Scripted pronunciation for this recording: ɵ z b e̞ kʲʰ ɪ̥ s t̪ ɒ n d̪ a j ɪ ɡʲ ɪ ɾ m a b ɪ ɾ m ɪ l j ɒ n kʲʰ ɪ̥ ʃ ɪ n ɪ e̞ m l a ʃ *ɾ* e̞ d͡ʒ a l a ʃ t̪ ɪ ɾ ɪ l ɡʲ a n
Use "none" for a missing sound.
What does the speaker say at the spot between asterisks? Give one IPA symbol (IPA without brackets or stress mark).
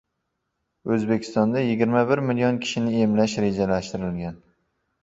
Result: ɾ